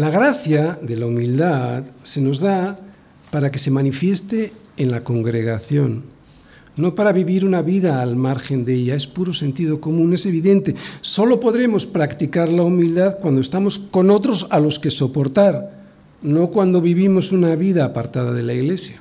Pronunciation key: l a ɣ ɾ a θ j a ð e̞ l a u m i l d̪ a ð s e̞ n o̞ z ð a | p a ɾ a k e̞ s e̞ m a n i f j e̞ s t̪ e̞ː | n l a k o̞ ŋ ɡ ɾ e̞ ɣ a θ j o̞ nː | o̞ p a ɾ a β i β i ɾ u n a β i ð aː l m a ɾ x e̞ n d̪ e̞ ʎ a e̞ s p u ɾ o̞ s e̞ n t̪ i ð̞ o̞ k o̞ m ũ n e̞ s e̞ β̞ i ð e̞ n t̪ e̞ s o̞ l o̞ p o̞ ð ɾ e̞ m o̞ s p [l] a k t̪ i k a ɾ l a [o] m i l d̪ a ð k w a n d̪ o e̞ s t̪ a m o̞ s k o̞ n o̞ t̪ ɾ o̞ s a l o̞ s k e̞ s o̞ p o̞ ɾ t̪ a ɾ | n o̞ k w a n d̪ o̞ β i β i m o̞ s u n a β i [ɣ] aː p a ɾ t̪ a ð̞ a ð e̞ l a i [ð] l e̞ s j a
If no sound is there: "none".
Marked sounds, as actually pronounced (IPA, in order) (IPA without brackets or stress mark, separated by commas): ɾ, u, ð, ɣ